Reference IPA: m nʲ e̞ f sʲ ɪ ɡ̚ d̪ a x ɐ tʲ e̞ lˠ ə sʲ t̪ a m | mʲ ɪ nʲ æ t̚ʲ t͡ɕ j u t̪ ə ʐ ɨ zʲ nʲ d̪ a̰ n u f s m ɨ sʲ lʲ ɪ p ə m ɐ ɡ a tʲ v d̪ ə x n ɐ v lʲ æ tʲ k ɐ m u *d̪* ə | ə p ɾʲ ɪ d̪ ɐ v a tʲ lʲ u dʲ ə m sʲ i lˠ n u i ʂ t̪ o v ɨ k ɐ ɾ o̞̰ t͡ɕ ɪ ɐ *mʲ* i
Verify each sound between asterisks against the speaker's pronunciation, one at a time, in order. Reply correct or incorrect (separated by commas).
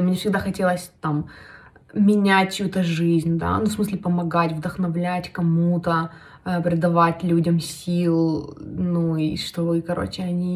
incorrect, incorrect